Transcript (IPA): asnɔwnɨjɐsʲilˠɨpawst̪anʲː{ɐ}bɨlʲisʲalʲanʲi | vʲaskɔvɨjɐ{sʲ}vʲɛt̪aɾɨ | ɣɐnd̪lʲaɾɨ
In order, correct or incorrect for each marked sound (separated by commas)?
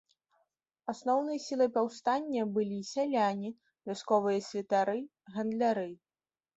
correct, correct